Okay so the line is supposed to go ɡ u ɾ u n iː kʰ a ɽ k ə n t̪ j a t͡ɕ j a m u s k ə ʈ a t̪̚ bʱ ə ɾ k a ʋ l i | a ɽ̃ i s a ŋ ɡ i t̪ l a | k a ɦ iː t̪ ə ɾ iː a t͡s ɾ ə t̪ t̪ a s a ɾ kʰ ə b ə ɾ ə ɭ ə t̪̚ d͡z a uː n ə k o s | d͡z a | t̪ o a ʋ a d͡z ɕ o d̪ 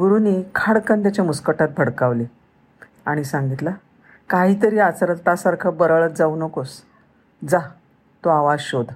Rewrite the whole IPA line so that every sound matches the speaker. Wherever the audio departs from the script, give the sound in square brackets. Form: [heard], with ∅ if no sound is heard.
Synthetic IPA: ɡ u ɾ u n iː kʰ a ɽ k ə n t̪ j a t͡ɕ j a m u s k ə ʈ a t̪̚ bʱ ə [ɽ] k a ʋ l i | a ɽ̃ i s a ŋ ɡ i t̪ l a | k a ɦ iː t̪ ə ɾ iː a t͡s ɾ ə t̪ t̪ a s a ɾ kʰ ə b ə ɾ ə ɭ ə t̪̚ d͡z a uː n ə k o s | d͡z a | t̪ o a ʋ a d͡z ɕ o d̪